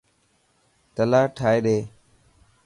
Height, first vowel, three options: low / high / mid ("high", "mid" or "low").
mid